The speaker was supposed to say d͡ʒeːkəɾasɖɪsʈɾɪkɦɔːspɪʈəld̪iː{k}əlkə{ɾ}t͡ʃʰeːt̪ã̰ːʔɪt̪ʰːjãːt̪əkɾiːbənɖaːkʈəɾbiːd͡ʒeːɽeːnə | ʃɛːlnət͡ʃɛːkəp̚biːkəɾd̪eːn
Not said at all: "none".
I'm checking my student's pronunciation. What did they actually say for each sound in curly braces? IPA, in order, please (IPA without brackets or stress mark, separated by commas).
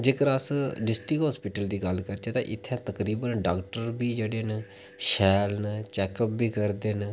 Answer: ɡ, ɾ